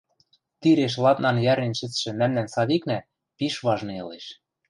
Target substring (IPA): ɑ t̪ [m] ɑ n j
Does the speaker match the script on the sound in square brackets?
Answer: no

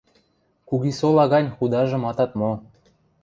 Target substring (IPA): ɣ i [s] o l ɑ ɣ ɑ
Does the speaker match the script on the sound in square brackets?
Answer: yes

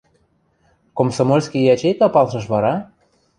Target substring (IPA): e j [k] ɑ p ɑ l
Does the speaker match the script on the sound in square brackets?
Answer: yes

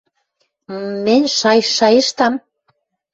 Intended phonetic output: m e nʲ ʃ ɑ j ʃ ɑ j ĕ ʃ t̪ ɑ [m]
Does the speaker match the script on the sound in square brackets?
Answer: yes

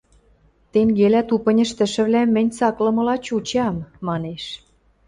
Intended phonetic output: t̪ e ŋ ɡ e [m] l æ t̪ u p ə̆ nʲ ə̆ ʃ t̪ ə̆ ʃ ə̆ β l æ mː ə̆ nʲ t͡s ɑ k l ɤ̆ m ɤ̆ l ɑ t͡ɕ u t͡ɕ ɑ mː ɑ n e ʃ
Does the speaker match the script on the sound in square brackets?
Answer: no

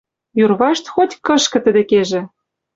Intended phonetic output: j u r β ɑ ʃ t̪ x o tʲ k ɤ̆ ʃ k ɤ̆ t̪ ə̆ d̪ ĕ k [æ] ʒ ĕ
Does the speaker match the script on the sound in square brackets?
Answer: no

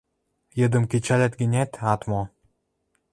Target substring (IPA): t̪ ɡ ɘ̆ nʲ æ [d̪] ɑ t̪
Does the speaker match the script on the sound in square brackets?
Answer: no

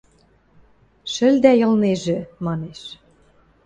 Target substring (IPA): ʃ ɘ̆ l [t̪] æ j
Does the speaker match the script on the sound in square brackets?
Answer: no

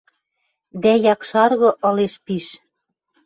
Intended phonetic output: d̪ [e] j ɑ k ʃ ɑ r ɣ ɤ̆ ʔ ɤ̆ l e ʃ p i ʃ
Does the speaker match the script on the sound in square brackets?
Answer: no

